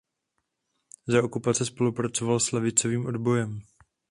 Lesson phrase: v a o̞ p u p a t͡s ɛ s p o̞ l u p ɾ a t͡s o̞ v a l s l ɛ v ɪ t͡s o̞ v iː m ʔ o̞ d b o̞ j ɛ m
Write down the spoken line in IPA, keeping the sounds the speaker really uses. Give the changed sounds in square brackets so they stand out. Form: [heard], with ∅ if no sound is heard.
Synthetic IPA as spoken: [z] a o̞ [k] u p a t͡s ɛ s p o̞ l u p ɾ a t͡s o̞ v a l s l ɛ v ɪ t͡s o̞ v iː m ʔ o̞ d b o̞ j ɛ m

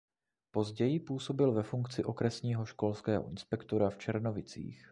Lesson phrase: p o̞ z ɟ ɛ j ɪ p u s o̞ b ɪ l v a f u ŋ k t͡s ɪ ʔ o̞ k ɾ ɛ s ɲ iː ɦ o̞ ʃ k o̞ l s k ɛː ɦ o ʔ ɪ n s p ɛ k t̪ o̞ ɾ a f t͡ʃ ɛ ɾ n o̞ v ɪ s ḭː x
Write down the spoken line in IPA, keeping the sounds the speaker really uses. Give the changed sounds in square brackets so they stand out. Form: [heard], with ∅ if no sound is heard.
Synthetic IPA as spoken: p o̞ z ɟ ɛ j ɪ p [uː] s o̞ b ɪ l v [ɛ] f u ŋ k t͡s ɪ ʔ o̞ k ɾ ɛ s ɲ iː ɦ o̞ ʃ k o̞ l s k ɛː ɦ o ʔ ɪ n s p ɛ k t̪ o̞ ɾ a f t͡ʃ ɛ ɾ n o̞ v ɪ [t͡s] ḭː x

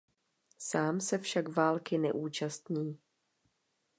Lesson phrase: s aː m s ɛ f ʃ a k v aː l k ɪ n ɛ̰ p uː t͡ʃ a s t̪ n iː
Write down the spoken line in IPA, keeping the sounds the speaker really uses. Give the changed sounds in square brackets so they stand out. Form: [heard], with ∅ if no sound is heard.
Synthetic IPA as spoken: s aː m s ɛ f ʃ a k v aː l k ɪ n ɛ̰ [ʔ] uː t͡ʃ a s t̪ [ɲ] iː

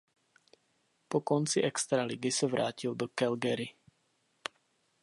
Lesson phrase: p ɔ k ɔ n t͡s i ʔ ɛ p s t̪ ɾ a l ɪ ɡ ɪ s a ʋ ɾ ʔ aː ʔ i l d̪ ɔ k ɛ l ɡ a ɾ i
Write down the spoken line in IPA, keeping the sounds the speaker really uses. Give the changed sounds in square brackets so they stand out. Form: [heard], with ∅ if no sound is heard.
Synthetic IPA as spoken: p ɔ k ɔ n t͡s i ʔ ɛ [k] s t̪ ɾ a l [i] ɡ [i] s a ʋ ɾ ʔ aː [c] i l d̪ ɔ k ɛ l ɡ [ɛ] ɾ i

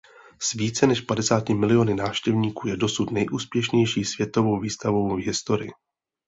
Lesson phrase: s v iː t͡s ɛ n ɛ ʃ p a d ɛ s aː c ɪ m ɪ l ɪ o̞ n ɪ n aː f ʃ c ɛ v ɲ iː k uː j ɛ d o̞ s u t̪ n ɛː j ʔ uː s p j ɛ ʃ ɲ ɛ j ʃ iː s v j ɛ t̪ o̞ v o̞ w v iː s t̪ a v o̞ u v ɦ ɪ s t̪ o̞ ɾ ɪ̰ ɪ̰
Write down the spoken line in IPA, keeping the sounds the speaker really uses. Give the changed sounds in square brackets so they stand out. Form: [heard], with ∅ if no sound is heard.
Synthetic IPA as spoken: s v iː t͡s ɛ n ɛ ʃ p a d ɛ s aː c ɪ m ɪ l ɪ o̞ n ɪ n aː f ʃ c ɛ v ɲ iː k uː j ɛ d o̞ s u t̪ n [ɛ] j ʔ uː s p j ɛ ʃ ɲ ɛ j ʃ iː s v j ɛ t̪ o̞ v o̞ w v iː s t̪ a v o̞ [w] v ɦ ɪ s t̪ o̞ ɾ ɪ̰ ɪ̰

